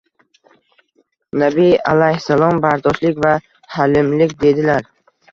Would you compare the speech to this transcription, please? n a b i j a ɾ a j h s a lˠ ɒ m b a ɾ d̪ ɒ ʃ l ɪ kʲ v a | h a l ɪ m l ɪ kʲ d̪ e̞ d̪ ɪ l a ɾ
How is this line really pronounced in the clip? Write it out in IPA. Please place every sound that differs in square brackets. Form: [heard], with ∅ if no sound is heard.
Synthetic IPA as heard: n a b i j a [l] a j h s a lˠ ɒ m b a ɾ d̪ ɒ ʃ l ɪ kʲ v a | h a l ɪ m l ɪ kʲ d̪ e̞ d̪ ɪ l a ɾ